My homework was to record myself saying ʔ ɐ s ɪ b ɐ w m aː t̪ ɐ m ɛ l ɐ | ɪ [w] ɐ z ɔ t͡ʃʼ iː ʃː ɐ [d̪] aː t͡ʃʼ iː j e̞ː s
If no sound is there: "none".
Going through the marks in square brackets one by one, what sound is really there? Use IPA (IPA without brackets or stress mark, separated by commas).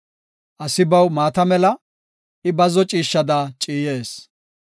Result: b, d̪